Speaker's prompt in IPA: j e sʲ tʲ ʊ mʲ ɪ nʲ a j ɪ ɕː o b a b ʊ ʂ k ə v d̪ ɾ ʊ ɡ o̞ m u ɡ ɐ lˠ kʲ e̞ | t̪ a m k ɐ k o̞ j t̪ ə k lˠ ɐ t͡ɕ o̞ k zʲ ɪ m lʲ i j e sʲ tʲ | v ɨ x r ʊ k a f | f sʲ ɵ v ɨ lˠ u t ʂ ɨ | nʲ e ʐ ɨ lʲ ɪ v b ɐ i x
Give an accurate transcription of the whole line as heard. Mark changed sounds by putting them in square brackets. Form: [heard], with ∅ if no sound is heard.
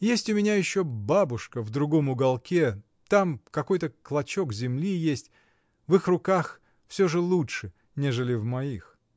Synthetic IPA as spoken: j e sʲ tʲ ʊ mʲ ɪ nʲ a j ɪ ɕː o b a b ʊ ʂ k ə v d̪ ɾ ʊ ɡ o̞ m [ʊ] ɡ ɐ lˠ kʲ e̞ | t̪ a m k ɐ k o̞ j t̪ ə k lˠ ɐ t͡ɕ o̞ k zʲ ɪ m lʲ i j e sʲ tʲ | v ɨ x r ʊ k a [x] | f sʲ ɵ [ʐ] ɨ lˠ u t ʂ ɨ | nʲ e ʐ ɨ lʲ ɪ v [m] ɐ i x